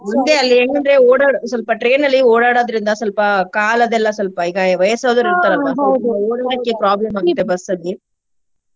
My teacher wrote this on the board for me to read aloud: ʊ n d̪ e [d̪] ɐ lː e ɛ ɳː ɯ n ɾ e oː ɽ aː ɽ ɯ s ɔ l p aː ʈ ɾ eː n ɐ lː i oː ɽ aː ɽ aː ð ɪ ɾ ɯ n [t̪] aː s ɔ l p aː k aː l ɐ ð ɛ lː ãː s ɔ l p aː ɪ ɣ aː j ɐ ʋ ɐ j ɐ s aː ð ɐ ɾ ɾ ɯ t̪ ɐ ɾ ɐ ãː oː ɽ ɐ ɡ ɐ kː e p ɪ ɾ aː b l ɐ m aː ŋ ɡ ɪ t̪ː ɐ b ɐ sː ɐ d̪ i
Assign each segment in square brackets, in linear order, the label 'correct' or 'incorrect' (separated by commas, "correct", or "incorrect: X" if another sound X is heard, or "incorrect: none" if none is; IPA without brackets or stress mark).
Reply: incorrect: none, incorrect: d̪